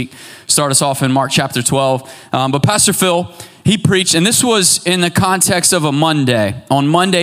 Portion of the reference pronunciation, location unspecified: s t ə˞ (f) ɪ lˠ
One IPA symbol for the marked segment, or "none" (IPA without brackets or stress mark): f